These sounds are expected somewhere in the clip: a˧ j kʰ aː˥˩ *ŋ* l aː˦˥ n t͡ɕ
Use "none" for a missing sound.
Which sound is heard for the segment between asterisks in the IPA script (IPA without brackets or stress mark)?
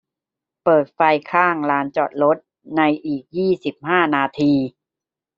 ŋ